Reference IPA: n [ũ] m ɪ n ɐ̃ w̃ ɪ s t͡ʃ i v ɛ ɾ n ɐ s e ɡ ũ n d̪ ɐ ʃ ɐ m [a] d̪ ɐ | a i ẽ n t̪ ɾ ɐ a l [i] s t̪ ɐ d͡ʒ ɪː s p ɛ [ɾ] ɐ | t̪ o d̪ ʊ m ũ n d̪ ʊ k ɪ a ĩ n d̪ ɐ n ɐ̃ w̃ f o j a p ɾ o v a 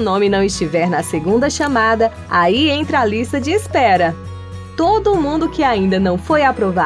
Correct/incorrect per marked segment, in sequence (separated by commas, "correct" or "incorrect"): incorrect, correct, correct, correct